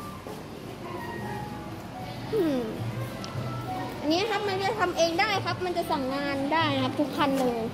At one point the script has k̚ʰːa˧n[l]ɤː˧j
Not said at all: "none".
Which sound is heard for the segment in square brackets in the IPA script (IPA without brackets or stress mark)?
l